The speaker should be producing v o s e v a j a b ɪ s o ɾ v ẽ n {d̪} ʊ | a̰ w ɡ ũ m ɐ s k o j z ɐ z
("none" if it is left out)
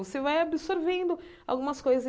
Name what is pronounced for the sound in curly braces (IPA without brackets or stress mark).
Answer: d̪